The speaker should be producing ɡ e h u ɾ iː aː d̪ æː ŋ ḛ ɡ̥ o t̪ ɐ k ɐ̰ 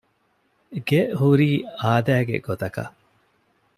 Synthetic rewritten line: ɡ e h u ɾ iː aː d̪ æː ɡ ḛ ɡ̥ o t̪ ɐ k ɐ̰